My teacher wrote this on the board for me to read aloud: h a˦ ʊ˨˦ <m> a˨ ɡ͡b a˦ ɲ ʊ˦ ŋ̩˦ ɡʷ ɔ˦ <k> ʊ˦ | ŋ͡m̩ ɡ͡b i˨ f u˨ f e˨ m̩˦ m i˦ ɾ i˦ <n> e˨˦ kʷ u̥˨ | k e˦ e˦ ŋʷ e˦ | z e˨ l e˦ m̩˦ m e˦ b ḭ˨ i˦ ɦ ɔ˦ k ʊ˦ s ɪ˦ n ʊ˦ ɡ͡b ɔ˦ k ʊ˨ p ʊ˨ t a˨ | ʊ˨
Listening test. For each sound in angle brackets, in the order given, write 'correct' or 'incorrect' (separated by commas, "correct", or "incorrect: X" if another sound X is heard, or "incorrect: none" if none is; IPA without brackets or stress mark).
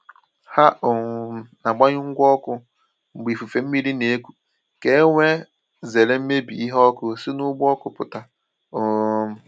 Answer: incorrect: n, correct, correct